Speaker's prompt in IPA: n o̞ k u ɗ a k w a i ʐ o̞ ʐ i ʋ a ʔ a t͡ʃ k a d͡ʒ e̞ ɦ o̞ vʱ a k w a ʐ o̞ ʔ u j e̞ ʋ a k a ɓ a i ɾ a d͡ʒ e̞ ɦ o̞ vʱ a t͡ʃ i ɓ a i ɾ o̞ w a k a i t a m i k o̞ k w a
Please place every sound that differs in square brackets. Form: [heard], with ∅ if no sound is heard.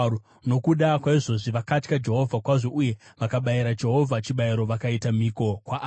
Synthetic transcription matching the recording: n o̞ k u ɗ a k w a i ʐ o̞ ʐ i ʋ a [k] a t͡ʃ k a d͡ʒ e̞ ɦ o̞ vʱ a k w a ʐ o̞ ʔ u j e̞ ʋ a k a ɓ a i ɾ a d͡ʒ e̞ ɦ o̞ vʱ a t͡ʃ i ɓ a i ɾ o̞ [ʋ] a k a i t a m i k o̞ k w a